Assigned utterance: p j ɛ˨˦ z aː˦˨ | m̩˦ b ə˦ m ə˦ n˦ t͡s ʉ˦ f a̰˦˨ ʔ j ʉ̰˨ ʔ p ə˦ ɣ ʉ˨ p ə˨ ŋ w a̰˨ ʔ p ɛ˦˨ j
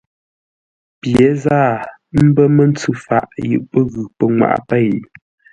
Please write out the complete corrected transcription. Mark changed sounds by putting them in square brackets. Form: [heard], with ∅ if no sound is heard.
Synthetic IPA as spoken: p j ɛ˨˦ z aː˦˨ | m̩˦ b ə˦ m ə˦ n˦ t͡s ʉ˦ f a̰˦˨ ʔ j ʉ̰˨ ʔ p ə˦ ɣ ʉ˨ p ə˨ ŋ w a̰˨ ʔ p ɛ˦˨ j